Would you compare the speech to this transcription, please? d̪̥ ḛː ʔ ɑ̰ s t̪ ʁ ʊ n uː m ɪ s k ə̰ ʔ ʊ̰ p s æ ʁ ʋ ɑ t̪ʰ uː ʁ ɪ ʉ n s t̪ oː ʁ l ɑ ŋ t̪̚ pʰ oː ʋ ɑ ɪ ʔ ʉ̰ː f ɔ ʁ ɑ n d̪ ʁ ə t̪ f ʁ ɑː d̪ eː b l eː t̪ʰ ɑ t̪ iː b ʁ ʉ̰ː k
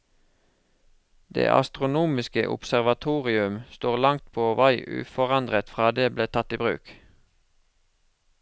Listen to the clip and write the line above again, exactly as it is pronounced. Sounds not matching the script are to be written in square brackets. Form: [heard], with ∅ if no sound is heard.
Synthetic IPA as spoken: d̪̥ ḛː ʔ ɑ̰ s t̪ ʁ ʊ n uː m ɪ s k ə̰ ʔ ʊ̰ p s æ ʁ ʋ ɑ t̪ʰ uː ʁ ɪ ʉ [m] s t̪ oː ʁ l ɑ ŋ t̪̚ pʰ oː ʋ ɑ ɪ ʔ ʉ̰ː f ɔ ʁ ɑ n d̪ ʁ ə t̪ f ʁ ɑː d̪ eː b l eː t̪ʰ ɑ t̪ iː b ʁ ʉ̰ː k